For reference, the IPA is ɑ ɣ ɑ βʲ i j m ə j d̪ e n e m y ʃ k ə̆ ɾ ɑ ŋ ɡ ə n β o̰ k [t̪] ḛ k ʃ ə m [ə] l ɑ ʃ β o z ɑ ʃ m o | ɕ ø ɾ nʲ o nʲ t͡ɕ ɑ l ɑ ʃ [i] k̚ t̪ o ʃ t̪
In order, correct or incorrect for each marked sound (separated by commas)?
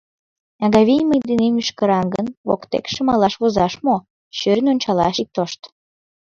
correct, incorrect, correct